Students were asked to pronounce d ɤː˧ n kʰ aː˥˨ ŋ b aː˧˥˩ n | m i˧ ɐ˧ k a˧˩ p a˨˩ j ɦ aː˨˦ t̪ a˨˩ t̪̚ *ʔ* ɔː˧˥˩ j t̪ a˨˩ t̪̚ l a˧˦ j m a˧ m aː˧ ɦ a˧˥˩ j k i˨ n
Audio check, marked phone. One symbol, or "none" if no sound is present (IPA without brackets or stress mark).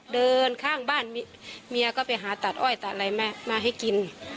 ʔ